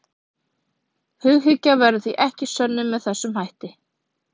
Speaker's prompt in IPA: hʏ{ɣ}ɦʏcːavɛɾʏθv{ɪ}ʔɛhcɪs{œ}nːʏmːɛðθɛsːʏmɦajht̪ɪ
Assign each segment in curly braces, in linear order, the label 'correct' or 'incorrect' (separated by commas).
correct, incorrect, correct